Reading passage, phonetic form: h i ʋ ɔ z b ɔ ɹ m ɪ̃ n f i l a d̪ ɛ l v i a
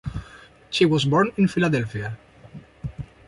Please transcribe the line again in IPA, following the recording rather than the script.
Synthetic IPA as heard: ʃ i w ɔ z b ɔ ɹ n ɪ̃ n f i l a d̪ ɛ l f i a